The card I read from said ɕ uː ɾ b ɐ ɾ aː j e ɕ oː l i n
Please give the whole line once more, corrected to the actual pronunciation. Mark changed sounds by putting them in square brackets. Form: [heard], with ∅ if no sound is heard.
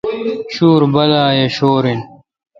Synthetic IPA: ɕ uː ɾ b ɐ [l] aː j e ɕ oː [ɾ] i n